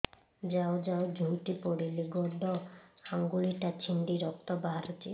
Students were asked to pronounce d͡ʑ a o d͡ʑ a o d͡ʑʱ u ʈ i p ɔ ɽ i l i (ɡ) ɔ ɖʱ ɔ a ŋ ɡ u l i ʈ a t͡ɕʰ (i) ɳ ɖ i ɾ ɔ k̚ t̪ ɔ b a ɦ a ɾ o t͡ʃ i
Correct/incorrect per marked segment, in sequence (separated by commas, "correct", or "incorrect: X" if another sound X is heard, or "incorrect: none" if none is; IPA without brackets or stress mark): correct, correct